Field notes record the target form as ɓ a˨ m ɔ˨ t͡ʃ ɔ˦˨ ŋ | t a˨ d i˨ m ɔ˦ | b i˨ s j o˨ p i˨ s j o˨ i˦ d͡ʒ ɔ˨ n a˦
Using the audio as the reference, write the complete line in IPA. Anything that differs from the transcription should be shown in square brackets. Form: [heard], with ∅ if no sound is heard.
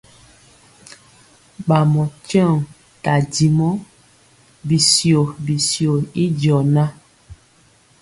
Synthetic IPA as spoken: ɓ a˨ m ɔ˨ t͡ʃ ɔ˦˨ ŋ | t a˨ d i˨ m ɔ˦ | b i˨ s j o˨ [b] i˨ s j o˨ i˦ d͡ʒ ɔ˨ n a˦